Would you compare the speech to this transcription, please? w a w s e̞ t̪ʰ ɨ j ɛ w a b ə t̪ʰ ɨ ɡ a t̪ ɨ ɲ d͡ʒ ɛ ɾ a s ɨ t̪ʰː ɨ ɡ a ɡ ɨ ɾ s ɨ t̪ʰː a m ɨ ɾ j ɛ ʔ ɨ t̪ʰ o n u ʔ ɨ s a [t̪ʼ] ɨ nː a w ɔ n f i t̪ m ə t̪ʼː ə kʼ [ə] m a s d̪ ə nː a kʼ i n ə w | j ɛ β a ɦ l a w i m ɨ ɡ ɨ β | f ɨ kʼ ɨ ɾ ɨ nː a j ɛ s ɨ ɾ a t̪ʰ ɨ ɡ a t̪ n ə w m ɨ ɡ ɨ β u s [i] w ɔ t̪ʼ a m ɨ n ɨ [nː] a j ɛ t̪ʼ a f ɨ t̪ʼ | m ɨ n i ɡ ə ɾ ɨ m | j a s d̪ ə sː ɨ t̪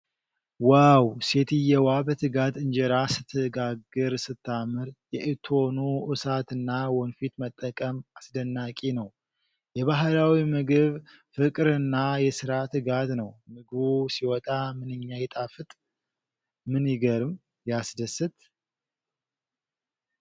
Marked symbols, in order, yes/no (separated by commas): no, yes, yes, no